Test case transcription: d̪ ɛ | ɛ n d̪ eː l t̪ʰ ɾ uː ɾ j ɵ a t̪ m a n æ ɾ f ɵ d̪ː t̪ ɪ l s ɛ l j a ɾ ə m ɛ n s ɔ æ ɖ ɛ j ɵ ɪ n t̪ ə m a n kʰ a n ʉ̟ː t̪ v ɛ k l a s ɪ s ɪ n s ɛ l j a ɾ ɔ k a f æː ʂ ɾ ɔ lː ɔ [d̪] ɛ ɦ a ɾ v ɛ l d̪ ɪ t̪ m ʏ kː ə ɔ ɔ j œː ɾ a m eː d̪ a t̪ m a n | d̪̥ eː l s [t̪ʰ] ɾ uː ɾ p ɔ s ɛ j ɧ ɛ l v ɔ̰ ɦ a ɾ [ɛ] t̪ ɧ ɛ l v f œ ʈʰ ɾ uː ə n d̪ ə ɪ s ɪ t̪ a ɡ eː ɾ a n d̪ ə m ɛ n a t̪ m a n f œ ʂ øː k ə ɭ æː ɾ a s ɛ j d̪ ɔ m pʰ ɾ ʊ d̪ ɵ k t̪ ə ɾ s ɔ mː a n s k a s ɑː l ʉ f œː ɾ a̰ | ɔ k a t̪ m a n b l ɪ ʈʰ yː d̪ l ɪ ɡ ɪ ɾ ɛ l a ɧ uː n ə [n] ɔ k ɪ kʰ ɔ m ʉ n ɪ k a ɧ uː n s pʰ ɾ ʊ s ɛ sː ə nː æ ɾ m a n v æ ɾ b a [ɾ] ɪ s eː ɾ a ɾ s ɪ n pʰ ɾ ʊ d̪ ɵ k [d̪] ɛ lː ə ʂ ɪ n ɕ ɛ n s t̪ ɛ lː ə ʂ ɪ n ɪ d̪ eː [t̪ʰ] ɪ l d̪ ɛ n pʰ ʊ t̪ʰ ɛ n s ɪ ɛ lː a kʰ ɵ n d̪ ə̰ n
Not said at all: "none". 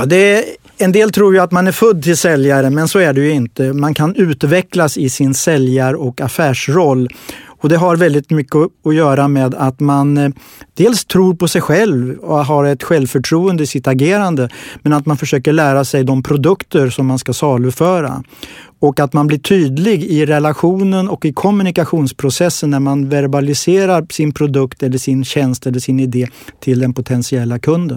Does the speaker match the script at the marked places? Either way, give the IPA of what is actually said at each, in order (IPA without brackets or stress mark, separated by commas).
d̪, t̪ʰ, ɛ, n, l, t̪, t̪ʰ